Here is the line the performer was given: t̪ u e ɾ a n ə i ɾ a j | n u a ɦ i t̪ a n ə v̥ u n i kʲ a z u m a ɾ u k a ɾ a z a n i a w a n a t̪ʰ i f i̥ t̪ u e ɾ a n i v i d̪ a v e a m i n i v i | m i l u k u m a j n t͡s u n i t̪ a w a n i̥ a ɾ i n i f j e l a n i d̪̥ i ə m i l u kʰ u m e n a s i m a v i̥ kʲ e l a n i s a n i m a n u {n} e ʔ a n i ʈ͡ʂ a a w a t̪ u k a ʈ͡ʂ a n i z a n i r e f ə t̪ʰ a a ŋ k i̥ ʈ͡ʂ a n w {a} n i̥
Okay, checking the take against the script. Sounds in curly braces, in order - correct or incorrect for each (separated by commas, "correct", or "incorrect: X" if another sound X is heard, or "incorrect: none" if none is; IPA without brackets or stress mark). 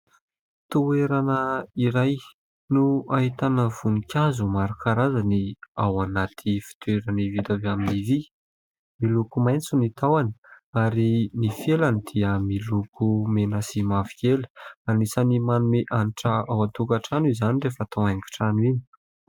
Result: incorrect: m, incorrect: i